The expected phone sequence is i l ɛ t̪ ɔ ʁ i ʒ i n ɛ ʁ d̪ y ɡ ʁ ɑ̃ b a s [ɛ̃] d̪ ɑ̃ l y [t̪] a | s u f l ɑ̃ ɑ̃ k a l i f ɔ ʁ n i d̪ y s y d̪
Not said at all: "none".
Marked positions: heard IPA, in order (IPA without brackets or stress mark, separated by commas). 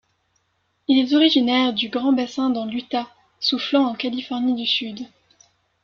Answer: ɛ̃, t̪